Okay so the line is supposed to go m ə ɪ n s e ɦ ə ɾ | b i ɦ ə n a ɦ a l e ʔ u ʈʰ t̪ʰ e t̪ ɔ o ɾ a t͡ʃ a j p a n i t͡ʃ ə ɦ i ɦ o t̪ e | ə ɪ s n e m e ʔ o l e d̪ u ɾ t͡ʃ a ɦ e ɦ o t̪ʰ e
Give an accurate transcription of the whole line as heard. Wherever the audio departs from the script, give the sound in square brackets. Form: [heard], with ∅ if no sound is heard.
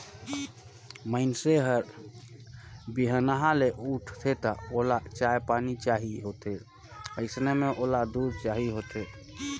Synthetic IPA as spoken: m ə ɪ n s e ɦ ə ɾ | b i ɦ ə n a ɦ a l e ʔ u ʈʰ t̪ʰ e t̪ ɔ o [l] a t͡ʃ a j p a n i t͡ʃ [a] ɦ i ɦ o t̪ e | ə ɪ s n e m e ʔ o l [a] d̪ u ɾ t͡ʃ a ɦ [i] ɦ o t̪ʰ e

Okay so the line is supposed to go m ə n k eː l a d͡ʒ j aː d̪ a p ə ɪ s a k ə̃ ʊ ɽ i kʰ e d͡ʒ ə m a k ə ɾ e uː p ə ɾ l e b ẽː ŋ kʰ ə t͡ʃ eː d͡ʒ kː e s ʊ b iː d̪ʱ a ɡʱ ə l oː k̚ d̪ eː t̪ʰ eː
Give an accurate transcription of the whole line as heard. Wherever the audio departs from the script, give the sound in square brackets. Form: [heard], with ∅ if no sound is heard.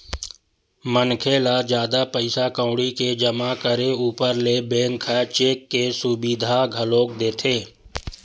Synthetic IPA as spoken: m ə n [kʰ] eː l a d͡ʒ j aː d̪ a p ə ɪ s a k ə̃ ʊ ɽ i [k] e d͡ʒ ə m a k ə ɾ e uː p ə ɾ l e b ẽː ŋ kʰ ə t͡ʃ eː [∅] kː e s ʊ b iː d̪ʱ a ɡʱ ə l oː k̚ d̪ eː t̪ʰ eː

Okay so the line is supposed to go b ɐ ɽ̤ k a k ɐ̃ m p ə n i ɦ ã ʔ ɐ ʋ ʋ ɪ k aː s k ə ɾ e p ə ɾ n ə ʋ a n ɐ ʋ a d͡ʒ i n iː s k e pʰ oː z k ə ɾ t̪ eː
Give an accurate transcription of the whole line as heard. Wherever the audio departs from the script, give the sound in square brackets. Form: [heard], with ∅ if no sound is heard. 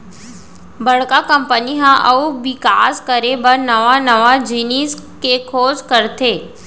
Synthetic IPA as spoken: b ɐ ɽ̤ k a k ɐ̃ m p ə n i ɦ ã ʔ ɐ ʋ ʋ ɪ k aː s k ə ɾ e [b] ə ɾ n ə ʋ a n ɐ ʋ a d͡ʒ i n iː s k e [kʰ] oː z k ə ɾ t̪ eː

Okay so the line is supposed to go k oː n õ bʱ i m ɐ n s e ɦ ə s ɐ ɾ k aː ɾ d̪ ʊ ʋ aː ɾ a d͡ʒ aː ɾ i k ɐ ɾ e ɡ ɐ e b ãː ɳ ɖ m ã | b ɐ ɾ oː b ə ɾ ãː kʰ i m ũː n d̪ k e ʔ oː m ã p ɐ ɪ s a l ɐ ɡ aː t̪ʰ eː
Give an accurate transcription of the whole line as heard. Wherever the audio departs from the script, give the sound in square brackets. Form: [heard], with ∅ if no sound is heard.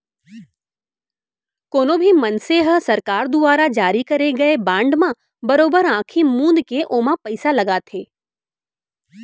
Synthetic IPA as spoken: k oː n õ bʱ i m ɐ n s e ɦ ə s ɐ ɾ k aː ɾ d̪ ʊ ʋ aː ɾ a d͡ʒ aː ɾ i k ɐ ɾ e ɡ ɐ e b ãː ɳ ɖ m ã | b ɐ ɾ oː b ə ɾ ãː kʰ i m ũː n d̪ k e ʔ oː m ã p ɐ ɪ s a l ɐ ɡ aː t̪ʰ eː

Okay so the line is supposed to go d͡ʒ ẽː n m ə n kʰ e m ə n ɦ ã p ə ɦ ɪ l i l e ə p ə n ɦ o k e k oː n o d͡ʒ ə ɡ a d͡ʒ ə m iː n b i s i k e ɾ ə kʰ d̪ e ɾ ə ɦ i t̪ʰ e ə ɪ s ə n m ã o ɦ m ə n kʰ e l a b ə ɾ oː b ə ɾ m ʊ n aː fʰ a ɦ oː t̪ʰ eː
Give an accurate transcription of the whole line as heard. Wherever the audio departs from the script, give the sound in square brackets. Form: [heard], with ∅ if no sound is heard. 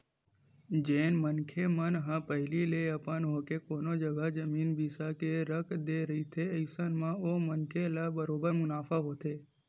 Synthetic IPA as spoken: d͡ʒ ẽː n m ə n kʰ e m ə n ɦ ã p ə ɦ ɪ l i l e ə p ə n ɦ o k e k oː n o d͡ʒ ə ɡ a d͡ʒ ə m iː n b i s [a] k e ɾ ə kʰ d̪ e ɾ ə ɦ i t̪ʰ e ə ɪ s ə n m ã o [∅] m ə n kʰ e l a b ə ɾ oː b ə ɾ m ʊ n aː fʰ a ɦ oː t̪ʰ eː

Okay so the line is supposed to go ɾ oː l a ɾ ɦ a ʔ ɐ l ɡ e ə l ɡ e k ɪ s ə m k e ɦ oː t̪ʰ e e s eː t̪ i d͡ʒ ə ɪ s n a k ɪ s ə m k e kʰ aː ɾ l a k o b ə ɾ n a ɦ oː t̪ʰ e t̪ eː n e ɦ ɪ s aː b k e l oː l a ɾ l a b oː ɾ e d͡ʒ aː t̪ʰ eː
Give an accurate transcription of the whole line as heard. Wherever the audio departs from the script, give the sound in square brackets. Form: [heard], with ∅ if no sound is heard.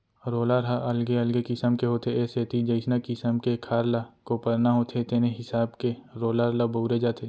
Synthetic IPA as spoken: ɾ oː l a ɾ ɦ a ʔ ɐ l ɡ e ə l ɡ e k ɪ s ə m k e ɦ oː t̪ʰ e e s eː t̪ i d͡ʒ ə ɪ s n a k ɪ s ə m k e kʰ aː ɾ l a k o [p] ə ɾ n a ɦ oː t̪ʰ e t̪ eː n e ɦ ɪ s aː b k e [ɾ] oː l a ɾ l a b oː ɾ e d͡ʒ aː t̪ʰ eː

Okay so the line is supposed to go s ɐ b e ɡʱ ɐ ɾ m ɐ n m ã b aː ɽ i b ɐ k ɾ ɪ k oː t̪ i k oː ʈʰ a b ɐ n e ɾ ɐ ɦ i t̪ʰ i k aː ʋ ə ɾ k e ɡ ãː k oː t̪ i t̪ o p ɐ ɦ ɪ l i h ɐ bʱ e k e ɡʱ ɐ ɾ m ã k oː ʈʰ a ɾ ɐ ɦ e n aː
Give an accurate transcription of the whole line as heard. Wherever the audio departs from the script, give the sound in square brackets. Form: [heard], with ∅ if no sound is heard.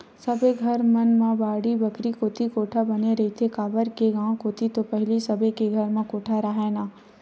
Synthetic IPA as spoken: s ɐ b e ɡʱ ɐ ɾ m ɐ n m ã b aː ɽ i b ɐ k ɾ [i] k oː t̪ i k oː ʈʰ a b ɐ n e ɾ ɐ ɦ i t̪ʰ [e] k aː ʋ ə ɾ k e ɡ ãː k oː t̪ i t̪ o p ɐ ɦ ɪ l i [s] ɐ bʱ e k e ɡʱ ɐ ɾ m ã k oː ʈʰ a ɾ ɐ ɦ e n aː

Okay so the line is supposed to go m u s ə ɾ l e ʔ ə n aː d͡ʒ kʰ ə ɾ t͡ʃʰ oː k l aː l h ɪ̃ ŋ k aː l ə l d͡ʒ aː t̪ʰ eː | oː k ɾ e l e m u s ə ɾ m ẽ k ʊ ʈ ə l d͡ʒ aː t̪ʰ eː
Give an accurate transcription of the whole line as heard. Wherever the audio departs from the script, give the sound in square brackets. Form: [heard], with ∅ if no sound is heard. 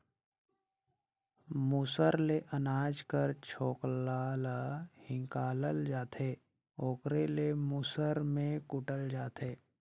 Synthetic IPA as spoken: m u s ə ɾ l e ʔ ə n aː d͡ʒ [k] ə ɾ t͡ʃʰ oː k l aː l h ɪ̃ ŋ k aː l ə l d͡ʒ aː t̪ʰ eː | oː k ɾ e l e m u s ə ɾ m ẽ k ʊ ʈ ə l d͡ʒ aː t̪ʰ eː

